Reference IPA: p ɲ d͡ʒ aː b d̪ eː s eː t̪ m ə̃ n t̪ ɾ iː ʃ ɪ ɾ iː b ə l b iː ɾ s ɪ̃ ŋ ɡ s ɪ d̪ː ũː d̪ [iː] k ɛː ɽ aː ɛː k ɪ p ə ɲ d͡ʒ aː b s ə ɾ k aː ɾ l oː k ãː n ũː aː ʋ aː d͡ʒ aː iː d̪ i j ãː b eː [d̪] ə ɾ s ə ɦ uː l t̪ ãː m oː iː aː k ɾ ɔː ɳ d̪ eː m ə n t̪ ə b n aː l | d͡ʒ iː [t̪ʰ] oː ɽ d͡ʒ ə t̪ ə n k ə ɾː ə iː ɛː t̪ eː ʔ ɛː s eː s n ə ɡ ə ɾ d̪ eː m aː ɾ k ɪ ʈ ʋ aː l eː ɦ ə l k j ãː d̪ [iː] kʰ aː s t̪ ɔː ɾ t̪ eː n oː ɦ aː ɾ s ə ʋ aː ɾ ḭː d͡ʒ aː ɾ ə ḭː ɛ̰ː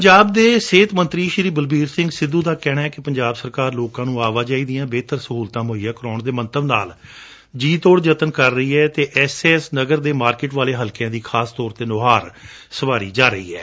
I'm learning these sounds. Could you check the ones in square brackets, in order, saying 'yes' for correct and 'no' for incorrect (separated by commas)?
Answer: no, no, no, yes